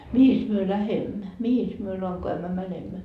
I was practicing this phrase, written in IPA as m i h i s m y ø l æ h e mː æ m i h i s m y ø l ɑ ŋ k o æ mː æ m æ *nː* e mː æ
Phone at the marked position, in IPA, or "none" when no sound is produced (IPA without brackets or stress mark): n